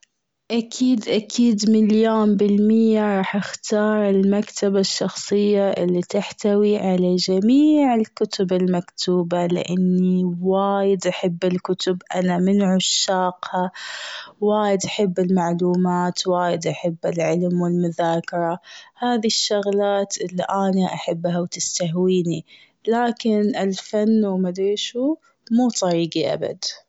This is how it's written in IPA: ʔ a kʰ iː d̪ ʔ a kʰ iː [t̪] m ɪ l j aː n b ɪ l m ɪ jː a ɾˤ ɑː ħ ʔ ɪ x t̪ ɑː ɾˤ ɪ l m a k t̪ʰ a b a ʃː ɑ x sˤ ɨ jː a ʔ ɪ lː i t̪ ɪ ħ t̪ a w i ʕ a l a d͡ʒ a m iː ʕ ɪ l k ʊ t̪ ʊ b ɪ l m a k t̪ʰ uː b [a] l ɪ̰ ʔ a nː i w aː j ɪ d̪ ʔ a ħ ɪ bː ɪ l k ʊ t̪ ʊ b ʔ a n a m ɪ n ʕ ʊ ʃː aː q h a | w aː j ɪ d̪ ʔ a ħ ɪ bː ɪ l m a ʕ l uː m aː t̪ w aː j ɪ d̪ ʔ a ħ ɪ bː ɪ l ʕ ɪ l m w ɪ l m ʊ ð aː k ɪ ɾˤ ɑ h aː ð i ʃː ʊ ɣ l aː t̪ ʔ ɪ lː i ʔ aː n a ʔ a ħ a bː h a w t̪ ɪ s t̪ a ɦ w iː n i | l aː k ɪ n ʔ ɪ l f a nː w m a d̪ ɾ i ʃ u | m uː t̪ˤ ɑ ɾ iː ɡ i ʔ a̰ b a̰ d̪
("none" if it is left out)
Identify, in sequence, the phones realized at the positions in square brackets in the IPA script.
d̪, a

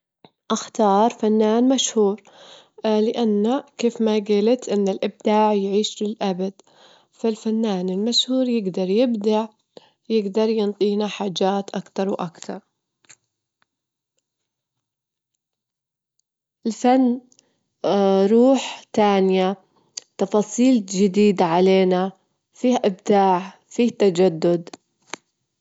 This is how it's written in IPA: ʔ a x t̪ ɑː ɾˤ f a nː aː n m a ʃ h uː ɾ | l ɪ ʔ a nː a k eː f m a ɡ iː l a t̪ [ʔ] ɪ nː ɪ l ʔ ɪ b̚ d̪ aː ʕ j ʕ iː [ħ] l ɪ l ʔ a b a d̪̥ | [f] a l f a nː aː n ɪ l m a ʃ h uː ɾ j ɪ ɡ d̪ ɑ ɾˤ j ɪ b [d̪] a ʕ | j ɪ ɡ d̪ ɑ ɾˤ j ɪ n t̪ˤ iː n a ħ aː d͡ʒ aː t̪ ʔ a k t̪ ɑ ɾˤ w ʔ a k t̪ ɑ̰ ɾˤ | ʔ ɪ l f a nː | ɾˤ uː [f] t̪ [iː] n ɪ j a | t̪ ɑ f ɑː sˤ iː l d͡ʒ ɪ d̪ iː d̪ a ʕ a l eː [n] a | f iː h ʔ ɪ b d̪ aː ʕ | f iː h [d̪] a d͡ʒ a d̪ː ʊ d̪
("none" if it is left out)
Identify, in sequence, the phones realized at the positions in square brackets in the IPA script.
ʔ, ʃ, f, d̪, ħ, aː, n, t̪

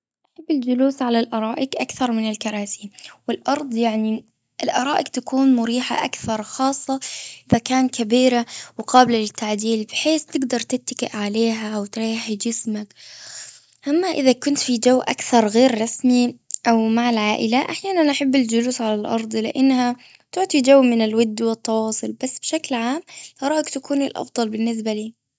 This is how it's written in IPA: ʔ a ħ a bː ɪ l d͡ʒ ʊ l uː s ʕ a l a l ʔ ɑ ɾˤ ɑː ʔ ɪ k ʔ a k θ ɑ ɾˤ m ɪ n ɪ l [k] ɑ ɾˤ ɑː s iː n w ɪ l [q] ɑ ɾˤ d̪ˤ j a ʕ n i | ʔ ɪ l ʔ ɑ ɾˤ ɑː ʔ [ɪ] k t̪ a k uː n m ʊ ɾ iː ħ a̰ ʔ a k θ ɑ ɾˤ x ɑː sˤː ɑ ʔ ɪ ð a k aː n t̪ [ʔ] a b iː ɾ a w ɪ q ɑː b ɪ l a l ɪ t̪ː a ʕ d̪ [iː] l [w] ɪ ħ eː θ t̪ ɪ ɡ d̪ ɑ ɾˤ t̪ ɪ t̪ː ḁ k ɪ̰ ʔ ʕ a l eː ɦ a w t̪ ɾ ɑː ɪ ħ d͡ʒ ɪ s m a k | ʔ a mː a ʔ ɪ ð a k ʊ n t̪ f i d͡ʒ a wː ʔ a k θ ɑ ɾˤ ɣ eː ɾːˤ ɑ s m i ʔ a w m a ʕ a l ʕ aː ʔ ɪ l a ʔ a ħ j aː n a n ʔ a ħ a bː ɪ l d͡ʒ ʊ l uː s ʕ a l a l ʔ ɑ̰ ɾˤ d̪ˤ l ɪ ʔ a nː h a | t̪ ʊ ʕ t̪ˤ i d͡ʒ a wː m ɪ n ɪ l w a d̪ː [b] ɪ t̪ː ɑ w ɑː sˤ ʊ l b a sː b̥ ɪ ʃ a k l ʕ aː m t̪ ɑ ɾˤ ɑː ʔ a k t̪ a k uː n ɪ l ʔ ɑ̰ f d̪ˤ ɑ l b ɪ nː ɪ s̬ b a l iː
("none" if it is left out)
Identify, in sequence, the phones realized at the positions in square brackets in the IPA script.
k, ʔ, ɪ, k, iː, b, w

